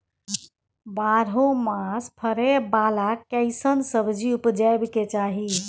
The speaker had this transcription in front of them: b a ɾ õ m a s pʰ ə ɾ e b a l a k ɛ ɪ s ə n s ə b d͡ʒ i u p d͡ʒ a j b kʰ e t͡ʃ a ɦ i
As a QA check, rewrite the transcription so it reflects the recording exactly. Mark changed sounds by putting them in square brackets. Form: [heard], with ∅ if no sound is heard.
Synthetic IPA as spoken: b a ɾ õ m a s pʰ ə ɾ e b a l a k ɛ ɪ s ə n s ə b d͡ʒ i u p d͡ʒ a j b [k] e t͡ʃ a ɦ i